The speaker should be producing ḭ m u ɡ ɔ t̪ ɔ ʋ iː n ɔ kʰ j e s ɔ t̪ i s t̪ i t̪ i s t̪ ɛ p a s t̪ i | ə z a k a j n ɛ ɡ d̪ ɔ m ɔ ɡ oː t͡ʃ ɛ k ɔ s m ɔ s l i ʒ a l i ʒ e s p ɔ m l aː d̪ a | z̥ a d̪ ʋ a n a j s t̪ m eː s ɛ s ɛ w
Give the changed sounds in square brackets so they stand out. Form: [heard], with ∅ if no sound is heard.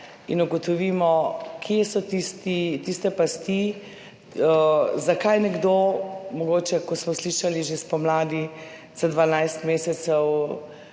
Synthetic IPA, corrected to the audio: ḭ [n] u ɡ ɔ t̪ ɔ ʋ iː [m] ɔ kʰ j e s ɔ t̪ i s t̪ i t̪ i s t̪ ɛ p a s t̪ i | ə z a k a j n ɛ ɡ d̪ [o] m ɔ ɡ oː t͡ʃ ɛ k ɔ s m ɔ s l i [ʃ] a l i ʒ e s p ɔ m l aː d̪ [i] | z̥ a d̪ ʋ a n a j s t̪ m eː s ɛ s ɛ w